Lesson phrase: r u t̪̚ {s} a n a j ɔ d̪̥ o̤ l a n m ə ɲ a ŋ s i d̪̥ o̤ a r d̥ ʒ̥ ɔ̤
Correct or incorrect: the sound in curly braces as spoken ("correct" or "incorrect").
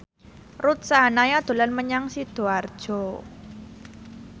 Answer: correct